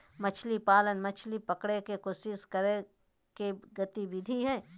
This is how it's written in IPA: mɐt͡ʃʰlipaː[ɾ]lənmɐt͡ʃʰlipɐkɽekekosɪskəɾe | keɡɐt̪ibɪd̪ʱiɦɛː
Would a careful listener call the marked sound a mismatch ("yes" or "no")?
yes